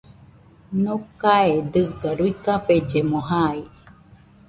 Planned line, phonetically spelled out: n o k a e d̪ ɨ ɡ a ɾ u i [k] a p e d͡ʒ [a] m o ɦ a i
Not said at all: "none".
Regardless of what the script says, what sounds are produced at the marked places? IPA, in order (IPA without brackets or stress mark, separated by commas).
k, e